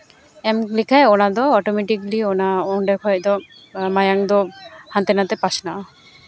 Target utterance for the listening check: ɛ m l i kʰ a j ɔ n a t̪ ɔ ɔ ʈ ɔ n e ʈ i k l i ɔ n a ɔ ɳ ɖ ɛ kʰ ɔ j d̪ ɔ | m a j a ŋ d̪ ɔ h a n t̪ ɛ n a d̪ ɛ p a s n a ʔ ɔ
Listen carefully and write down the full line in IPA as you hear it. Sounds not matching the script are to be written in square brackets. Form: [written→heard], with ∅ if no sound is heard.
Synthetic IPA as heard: ɛ m l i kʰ a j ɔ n a [t̪→d̪] ɔ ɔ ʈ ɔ [n→m] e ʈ i k l i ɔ n a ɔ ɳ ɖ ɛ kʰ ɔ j d̪ ɔ | m a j a ŋ d̪ ɔ h a n t̪ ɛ n a [d̪→t̪] ɛ p a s n a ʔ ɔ